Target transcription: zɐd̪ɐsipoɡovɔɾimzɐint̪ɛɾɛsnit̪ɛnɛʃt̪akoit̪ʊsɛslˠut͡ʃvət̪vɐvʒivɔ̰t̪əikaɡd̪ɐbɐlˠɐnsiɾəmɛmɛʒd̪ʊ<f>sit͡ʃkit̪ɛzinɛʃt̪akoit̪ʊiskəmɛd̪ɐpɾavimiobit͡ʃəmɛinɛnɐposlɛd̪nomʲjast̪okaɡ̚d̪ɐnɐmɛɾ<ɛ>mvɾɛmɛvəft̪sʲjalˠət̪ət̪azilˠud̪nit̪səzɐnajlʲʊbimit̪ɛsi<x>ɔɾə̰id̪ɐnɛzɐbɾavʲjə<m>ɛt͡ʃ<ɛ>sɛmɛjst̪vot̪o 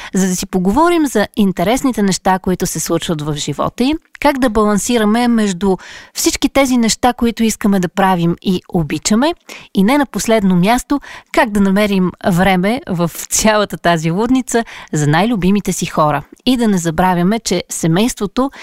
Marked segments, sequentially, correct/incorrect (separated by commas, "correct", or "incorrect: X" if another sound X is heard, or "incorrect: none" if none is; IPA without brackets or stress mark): correct, incorrect: i, correct, correct, correct